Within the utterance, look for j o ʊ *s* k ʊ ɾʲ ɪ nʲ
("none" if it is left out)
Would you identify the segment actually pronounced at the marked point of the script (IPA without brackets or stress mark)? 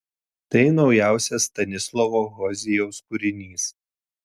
s